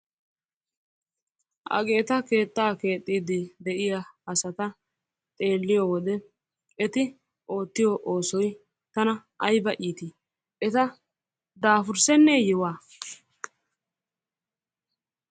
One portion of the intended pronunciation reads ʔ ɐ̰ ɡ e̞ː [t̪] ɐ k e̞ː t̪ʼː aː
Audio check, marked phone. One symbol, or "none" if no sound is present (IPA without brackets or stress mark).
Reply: t̪